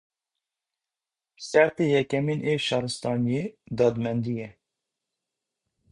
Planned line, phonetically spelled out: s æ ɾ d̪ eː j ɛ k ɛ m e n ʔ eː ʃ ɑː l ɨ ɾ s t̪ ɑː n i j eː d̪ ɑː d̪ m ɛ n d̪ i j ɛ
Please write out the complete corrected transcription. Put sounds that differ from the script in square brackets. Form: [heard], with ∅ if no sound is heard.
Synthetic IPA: s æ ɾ [t̪] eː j ɛ k ɛ m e n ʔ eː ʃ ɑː [ɾ] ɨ [∅] s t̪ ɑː n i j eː d̪ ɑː d̪ m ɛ n d̪ i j ɛ